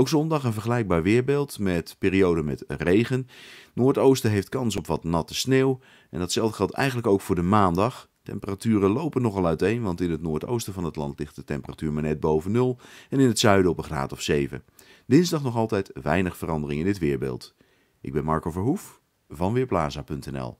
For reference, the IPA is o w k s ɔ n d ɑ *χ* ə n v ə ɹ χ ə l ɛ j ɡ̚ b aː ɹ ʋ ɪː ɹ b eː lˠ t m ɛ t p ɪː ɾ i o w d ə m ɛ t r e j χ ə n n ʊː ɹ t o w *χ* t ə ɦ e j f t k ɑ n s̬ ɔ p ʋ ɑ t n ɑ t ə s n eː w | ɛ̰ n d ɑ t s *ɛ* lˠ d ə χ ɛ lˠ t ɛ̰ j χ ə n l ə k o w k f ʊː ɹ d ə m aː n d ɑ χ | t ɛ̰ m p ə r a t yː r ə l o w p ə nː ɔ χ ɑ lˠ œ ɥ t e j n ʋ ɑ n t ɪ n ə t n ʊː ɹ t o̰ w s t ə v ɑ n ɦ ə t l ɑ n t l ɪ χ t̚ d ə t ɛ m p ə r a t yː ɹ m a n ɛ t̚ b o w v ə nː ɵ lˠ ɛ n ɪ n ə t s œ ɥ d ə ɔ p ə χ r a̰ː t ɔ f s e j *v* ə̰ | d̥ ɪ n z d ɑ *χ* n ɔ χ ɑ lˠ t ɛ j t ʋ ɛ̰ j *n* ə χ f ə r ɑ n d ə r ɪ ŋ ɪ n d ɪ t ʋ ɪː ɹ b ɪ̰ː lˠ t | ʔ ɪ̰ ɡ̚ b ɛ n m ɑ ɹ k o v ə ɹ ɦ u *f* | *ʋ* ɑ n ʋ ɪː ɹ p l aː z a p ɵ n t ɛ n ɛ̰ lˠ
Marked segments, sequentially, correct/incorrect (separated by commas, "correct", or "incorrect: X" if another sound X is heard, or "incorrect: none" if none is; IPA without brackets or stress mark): correct, incorrect: s, correct, correct, correct, correct, correct, incorrect: v